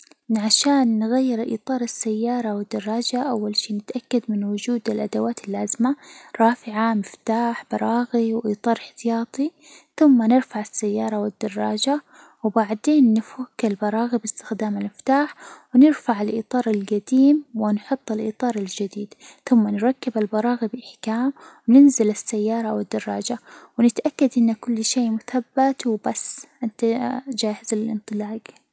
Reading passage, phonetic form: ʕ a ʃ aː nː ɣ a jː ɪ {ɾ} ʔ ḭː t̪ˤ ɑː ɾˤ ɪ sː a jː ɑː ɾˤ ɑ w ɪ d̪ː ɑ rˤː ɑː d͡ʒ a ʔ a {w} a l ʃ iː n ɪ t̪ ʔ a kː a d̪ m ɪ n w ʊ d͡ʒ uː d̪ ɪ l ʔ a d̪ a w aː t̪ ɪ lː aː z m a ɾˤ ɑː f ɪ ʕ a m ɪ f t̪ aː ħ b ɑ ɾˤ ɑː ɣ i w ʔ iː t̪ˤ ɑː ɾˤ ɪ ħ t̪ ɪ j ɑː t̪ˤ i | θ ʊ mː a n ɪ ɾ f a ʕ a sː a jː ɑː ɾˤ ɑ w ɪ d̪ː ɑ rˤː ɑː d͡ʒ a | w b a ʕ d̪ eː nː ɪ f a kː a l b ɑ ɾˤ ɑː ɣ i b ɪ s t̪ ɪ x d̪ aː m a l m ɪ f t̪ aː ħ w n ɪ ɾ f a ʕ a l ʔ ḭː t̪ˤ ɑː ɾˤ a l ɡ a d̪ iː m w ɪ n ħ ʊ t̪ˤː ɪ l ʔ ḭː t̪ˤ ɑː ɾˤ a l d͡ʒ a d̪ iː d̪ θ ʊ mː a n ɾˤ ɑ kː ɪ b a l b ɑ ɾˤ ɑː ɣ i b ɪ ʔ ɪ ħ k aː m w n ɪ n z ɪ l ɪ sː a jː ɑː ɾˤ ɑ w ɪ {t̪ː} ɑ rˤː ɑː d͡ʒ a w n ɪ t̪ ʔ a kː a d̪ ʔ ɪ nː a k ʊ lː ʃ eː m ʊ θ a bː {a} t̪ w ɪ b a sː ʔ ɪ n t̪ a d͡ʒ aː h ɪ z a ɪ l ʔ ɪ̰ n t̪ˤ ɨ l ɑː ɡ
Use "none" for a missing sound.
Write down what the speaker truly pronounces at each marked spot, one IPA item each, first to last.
ɾ, wː, d̪ː, a

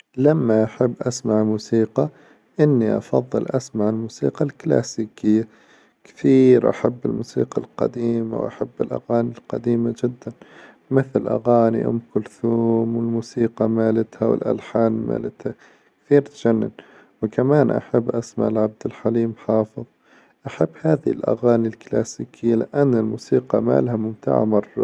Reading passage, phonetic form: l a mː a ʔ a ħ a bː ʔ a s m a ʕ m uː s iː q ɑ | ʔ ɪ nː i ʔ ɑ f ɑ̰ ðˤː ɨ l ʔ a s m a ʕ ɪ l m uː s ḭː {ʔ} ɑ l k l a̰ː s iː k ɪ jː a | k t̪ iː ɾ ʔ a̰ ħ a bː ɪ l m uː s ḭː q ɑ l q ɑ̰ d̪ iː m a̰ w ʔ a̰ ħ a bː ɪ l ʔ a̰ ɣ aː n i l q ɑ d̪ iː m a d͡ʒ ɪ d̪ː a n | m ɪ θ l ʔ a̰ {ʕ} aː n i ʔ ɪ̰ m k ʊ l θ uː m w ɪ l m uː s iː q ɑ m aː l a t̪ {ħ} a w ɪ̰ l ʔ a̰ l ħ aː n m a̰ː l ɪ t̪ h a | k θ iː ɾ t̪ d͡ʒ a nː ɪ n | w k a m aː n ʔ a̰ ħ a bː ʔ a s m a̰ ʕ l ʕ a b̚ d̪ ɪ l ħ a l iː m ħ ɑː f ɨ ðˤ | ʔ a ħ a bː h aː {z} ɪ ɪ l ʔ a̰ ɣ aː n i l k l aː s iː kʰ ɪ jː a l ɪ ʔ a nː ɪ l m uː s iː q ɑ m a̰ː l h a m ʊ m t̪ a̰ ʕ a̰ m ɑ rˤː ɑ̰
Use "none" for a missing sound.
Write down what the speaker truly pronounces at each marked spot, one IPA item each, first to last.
q, ɣ, h, ð

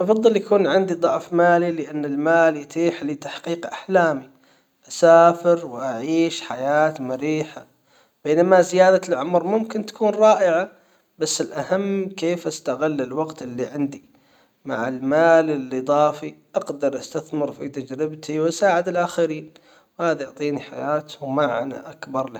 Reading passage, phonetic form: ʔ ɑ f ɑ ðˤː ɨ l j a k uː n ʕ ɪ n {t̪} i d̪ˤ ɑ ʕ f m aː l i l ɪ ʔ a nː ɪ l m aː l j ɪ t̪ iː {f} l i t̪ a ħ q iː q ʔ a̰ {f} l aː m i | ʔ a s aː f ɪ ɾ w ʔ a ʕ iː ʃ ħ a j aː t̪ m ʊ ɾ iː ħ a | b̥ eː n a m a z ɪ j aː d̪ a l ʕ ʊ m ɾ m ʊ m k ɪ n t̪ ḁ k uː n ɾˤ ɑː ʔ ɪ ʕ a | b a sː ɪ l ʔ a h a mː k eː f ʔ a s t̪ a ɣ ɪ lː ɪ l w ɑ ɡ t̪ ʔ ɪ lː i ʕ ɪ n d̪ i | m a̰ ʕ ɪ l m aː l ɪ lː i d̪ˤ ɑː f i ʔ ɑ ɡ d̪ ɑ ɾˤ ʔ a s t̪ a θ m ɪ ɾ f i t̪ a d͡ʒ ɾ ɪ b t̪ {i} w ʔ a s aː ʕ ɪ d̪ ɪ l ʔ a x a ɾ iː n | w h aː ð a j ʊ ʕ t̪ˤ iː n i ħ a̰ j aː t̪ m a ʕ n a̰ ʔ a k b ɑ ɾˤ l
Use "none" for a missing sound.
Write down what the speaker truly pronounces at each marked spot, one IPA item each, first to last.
d̪, ħ, ħ, i

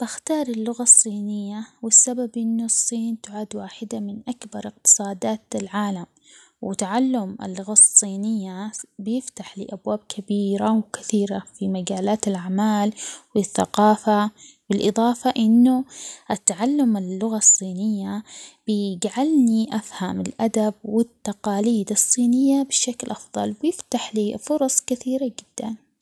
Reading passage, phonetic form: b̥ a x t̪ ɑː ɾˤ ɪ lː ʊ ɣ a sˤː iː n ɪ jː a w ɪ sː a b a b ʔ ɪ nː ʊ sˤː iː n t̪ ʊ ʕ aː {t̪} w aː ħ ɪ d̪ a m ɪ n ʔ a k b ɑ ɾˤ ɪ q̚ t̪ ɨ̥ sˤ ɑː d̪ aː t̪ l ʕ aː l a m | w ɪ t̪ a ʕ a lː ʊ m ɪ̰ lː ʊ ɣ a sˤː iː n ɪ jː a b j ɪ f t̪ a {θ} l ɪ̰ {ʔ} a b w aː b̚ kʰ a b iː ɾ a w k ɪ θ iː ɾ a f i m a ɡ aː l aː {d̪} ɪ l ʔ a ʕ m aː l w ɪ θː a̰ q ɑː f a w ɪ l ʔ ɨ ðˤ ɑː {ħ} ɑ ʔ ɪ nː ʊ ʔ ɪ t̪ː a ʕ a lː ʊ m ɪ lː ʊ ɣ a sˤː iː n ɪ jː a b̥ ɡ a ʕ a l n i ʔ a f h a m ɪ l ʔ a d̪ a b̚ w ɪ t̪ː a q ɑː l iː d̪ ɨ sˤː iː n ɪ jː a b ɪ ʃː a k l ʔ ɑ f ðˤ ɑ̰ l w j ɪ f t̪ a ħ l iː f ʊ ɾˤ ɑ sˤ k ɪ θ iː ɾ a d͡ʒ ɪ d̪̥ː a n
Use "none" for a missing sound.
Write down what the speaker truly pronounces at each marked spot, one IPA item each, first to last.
d̪, ħ, ʔ, t̪, f

